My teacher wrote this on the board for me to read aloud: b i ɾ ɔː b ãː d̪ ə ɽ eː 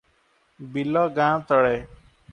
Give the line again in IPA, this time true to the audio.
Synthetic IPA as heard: b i l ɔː ɡ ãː t̪ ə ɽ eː

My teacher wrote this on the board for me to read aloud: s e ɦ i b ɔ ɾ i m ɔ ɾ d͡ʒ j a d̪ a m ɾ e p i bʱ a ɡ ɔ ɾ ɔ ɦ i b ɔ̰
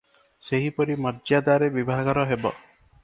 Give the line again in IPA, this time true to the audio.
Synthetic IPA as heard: s e ɦ i p ɔ ɾ i m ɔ ɾ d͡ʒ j a d̪ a ɾ e b i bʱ a ɡ ɔ ɾ ɔ ɦ e b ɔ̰

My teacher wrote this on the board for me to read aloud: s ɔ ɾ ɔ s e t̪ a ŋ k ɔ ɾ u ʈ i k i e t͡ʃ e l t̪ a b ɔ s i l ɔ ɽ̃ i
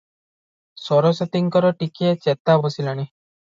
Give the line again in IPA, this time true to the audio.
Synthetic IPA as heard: s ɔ ɾ ɔ s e t̪ i ŋ k ɔ ɾ ɔ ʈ i k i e t͡ʃ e t̪ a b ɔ s i l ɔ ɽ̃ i

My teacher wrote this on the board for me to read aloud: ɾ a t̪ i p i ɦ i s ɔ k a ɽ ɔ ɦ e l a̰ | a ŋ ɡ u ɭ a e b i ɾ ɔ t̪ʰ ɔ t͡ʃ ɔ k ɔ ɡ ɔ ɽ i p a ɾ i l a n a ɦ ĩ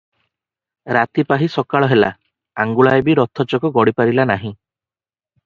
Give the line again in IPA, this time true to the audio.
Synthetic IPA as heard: ɾ a t̪ i p a ɦ i s ɔ k a ɭ ɔ ɦ e l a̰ | a ŋ ɡ u ɭ a e b i ɾ ɔ t̪ʰ ɔ t͡ʃ ɔ k ɔ ɡ ɔ ɽ i p a ɾ i l a n a ɦ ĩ

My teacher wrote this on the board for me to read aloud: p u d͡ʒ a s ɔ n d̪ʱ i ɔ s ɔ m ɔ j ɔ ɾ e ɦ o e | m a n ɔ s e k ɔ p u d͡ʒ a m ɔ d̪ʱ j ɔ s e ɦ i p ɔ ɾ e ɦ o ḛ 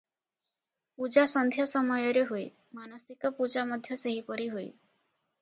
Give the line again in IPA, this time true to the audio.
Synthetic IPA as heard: p u d͡ʒ a s ɔ n d̪ʱ j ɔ s ɔ m ɔ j ɔ ɾ e ɦ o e | m a n ɔ s i k ɔ p u d͡ʒ a m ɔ d̪ʱ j ɔ s e ɦ i p ɔ ɾ i ɦ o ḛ

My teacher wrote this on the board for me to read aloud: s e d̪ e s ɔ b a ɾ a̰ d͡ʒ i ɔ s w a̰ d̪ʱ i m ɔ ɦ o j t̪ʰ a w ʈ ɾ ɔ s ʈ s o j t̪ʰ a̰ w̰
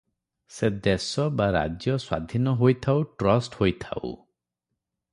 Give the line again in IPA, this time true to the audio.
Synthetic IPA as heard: s e d̪ e s ɔ b a ɾ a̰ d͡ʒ j ɔ s w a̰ d̪ʱ i n ɔ ɦ o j t̪ʰ a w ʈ ɾ ɔ s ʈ h o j t̪ʰ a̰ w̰

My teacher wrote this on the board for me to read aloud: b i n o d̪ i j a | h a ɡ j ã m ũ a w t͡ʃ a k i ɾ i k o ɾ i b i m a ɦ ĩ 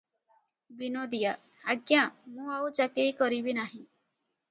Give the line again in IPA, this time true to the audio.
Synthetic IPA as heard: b i n o d̪ i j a | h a ɡ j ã m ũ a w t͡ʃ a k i ɾ i k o ɾ i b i n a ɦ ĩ

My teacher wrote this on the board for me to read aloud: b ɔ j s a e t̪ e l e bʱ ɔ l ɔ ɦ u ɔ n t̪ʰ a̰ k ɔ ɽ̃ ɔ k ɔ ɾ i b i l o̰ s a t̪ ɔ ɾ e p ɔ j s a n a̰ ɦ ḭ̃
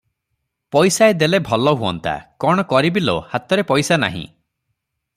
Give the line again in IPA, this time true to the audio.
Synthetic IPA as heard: p ɔ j s a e d̪ e l e bʱ ɔ l ɔ ɦ u ɔ n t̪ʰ a̰ k ɔ ɽ̃ ɔ k ɔ ɾ i b i l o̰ h a t̪ ɔ ɾ e p ɔ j s a n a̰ ɦ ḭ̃

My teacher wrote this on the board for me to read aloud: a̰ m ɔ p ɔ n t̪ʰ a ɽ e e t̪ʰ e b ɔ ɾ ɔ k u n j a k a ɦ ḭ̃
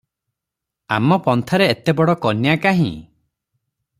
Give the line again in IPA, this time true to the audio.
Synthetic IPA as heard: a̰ m ɔ p ɔ n t̪ʰ a ɾ e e t̪ e b ɔ ɽ ɔ k ɔ n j a k a ɦ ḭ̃

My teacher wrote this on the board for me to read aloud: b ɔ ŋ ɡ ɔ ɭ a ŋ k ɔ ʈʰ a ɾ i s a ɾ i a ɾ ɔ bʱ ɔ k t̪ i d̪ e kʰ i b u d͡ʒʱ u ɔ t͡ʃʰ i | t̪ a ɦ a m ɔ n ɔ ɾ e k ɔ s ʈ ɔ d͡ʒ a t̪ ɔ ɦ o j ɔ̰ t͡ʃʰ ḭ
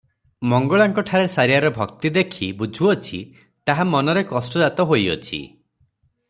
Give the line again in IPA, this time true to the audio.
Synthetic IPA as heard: m ɔ ŋ ɡ ɔ ɭ a ŋ k ɔ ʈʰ a ɾ e s a ɾ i a ɾ ɔ bʱ ɔ k t̪ i d̪ e kʰ i b u d͡ʒʱ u ɔ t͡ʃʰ i | t̪ a ɦ a m ɔ n ɔ ɾ e k ɔ s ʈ ɔ d͡ʒ a t̪ ɔ ɦ o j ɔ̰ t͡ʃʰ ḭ

